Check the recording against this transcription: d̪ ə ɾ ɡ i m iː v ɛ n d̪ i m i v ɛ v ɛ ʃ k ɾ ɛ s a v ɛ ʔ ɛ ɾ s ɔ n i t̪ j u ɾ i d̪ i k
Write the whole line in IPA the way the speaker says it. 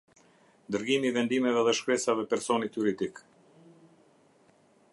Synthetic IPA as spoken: d̪ ə ɾ ɡ i m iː v ɛ n d̪ i m ɛ v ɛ ð ɛ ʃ k ɾ ɛ s a v ɛ p ɛ ɾ s ɔ n i t̪ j u ɾ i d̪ i k